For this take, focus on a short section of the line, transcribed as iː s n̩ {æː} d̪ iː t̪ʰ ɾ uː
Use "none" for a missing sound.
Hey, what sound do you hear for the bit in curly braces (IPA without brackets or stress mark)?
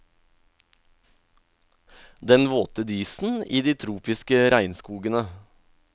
iː